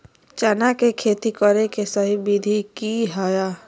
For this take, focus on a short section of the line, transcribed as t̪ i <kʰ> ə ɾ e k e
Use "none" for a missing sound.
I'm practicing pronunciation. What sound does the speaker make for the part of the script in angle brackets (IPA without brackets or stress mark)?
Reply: k